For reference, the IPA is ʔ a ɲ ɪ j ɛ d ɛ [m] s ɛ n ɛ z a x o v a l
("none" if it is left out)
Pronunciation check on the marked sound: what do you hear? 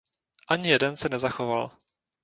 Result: n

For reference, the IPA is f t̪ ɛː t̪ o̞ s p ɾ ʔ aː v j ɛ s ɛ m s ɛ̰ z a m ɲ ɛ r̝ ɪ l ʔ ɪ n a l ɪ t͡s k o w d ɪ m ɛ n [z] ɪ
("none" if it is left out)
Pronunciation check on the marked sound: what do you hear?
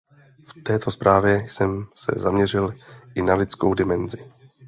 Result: z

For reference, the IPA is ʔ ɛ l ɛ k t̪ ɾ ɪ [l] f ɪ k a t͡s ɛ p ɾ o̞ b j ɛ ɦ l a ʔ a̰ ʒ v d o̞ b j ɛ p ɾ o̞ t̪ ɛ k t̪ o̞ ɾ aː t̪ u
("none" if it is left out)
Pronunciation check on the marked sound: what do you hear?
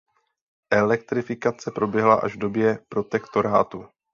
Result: none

